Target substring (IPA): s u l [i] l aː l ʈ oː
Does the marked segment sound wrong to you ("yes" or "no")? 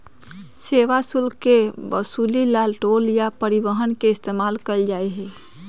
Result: no